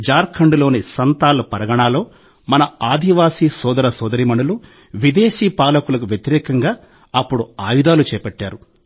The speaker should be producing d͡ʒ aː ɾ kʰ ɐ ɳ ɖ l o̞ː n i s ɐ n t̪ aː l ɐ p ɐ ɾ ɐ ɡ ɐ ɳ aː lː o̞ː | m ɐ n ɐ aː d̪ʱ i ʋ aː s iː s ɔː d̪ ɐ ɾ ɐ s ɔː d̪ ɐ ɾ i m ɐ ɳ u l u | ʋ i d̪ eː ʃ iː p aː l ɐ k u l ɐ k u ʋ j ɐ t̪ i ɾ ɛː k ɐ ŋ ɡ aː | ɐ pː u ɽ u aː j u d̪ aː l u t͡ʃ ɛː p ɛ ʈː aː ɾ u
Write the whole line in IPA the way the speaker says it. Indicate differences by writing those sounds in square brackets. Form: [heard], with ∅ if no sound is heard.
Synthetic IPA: d͡ʒ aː ɾ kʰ ɐ ɳ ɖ l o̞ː n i s ɐ n t̪ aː l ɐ p ɐ ɾ ɐ ɡ ɐ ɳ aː [l] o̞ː | m ɐ n ɐ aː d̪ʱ i ʋ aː s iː s ɔː d̪ ɐ ɾ ɐ s ɔː d̪ ɐ ɾ i m ɐ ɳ u l u | ʋ i d̪ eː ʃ iː p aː l ɐ k u l ɐ k u ʋ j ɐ t̪ i ɾ ɛː k ɐ ŋ ɡ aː | ɐ pː u ɽ u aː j u d̪ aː l u t͡ʃ ɛː p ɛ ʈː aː ɾ u